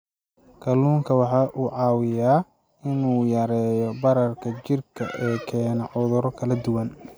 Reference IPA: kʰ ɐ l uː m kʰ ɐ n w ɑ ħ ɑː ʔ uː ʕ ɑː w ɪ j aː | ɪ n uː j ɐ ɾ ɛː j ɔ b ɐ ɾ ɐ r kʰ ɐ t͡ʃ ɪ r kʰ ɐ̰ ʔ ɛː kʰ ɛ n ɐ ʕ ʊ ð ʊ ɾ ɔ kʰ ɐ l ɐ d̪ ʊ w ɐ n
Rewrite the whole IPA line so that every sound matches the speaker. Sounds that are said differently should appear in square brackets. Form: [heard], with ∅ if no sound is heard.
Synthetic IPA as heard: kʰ ɐ l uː [ŋ] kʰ ɐ [∅] w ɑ ħ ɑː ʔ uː ʕ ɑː w ɪ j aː | ɪ n uː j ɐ ɾ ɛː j ɔ b ɐ ɾ ɐ r kʰ ɐ t͡ʃ ɪ r kʰ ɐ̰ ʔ ɛː kʰ [ɛː] n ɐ ʕ ʊ ð ʊ ɾ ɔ kʰ ɐ l ɐ d̪ ʊ w ɐ n

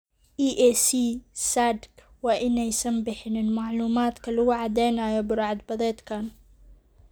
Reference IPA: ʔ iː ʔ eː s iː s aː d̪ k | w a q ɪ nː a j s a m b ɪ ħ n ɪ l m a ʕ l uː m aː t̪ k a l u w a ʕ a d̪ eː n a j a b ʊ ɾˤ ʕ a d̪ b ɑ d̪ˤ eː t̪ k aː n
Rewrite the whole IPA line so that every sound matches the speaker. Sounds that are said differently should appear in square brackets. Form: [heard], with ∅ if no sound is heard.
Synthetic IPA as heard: ʔ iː ʔ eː s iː s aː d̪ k | w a [ʔ] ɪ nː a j s a m b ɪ ħ n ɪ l m a ʕ l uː m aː t̪ k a l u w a ʕ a d̪ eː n a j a b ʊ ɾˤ ʕ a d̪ b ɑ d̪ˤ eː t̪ k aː n

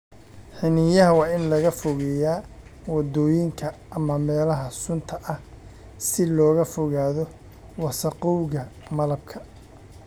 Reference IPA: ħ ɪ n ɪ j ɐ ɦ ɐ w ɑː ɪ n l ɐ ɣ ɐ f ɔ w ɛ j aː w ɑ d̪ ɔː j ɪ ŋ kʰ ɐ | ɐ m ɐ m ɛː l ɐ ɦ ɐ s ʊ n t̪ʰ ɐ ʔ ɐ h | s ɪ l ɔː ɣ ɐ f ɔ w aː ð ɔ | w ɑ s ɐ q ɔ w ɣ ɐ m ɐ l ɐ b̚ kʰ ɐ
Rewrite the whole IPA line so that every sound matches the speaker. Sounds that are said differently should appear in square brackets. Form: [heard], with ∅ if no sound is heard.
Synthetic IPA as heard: ħ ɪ n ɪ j ɐ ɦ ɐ w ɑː ɪ n l ɐ ɣ ɐ f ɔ [ɣ] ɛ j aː w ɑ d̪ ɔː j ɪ ŋ kʰ ɐ | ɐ m ɐ m ɛː l ɐ ɦ ɐ s ʊ n t̪ʰ ɐ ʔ ɐ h | s ɪ l ɔː ɣ ɐ f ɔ [ɣ] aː ð ɔ | w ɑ s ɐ q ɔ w ɣ ɐ m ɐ l ɐ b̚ kʰ ɐ

